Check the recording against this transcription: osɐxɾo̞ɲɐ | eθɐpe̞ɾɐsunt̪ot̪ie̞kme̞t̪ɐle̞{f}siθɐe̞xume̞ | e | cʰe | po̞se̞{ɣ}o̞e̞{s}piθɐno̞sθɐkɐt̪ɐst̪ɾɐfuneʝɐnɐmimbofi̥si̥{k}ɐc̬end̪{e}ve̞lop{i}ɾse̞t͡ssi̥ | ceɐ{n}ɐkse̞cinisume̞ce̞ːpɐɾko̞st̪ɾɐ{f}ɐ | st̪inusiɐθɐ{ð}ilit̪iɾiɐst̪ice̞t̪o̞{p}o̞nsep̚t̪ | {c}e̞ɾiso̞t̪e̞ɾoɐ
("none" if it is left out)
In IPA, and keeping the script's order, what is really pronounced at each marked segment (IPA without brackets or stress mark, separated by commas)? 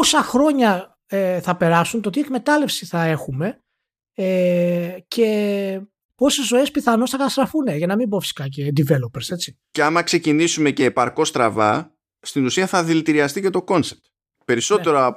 f, z, s, k, i, e, m, v, ð, k, p